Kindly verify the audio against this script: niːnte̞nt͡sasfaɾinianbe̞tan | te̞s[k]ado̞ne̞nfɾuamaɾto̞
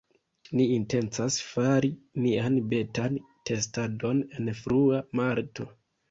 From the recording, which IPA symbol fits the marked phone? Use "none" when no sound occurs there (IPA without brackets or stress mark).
t